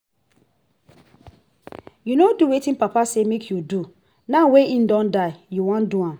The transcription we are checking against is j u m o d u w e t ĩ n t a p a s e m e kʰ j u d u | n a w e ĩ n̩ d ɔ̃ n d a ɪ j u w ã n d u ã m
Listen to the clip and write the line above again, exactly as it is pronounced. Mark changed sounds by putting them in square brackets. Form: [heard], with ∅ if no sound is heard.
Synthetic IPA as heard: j u [n] o d u w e t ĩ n [p] a p a s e m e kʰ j u d u | n a w e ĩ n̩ d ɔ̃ n d a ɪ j u w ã n d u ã m